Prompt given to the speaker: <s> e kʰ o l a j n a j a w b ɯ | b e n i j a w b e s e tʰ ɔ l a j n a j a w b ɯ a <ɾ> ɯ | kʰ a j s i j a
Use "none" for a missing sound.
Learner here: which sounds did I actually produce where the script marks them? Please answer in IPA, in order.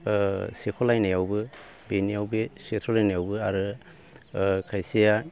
s, ɾ

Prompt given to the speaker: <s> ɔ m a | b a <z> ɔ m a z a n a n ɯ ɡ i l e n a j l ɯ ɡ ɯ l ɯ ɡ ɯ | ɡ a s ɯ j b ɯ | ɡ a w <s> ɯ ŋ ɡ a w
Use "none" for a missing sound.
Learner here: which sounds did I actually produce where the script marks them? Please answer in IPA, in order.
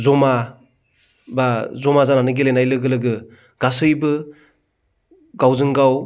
z, z, z

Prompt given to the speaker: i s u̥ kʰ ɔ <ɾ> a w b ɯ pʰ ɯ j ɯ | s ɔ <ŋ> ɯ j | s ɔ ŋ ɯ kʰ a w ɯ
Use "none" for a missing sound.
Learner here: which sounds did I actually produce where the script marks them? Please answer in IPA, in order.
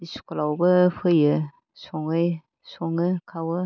l, ŋ

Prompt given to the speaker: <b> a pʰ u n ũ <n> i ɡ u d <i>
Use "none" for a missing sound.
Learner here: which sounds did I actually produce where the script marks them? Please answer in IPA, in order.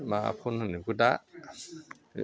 m, n, a

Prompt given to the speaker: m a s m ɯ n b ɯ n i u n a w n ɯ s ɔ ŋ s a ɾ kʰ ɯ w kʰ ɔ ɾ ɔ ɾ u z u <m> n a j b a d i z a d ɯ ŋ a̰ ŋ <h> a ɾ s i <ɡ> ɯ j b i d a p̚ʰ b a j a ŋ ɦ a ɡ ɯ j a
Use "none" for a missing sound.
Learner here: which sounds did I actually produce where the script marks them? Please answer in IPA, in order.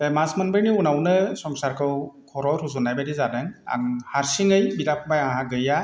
none, h, ŋ

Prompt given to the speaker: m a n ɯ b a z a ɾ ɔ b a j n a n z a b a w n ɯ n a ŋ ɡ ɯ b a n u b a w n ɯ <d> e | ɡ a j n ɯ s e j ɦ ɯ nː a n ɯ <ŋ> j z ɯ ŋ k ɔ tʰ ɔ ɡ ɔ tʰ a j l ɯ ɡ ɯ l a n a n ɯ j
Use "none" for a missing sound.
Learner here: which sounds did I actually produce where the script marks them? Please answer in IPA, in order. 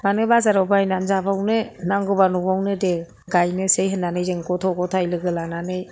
d, none

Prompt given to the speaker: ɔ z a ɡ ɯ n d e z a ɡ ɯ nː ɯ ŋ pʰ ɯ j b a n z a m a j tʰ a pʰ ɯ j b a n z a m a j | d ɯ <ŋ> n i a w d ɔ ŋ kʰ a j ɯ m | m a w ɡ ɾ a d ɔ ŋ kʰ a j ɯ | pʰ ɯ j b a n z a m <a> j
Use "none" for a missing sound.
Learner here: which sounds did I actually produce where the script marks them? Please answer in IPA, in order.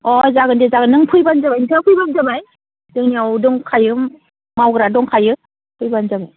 ŋ, a

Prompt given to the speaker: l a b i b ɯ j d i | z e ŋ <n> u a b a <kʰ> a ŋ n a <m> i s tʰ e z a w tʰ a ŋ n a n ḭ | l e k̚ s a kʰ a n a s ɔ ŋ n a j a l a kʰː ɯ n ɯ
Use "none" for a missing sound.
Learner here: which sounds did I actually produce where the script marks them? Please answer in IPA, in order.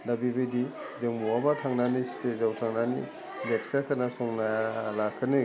m, tʰ, n

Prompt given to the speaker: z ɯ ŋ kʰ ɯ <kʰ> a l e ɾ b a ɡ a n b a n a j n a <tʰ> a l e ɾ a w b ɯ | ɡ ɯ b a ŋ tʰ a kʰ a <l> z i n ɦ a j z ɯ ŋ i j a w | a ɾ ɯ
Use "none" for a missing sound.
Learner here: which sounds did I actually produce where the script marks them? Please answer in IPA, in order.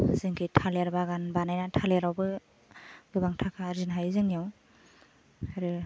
tʰ, tʰ, ɾ

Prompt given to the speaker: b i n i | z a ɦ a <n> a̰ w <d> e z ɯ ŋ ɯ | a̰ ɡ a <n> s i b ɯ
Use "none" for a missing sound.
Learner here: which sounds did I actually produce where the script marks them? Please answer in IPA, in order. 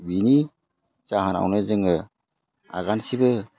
n, n, n

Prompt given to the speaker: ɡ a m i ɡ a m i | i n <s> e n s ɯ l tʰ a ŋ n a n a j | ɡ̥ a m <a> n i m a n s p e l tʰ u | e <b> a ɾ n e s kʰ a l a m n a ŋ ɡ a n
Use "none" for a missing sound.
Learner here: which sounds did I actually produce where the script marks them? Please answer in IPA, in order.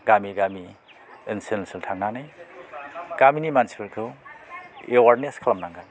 s, i, w

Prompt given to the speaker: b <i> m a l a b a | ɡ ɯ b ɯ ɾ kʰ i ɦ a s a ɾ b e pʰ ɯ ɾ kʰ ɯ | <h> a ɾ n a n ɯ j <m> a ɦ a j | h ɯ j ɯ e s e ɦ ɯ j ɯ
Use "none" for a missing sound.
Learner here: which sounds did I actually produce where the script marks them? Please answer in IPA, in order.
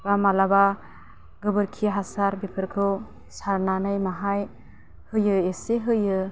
a, s, m

